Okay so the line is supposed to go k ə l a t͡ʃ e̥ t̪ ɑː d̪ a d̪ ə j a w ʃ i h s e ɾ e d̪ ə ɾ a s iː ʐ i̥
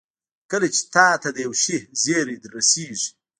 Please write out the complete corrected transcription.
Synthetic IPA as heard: k ə l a t͡ʃ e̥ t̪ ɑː t̪ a d̪ ə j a w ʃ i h z e ɾ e d̪ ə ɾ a s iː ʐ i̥